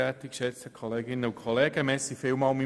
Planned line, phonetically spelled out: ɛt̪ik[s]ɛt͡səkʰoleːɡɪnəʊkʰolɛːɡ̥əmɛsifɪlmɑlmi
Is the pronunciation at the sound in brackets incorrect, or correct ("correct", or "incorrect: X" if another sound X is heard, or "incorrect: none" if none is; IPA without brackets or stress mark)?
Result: incorrect: ʃ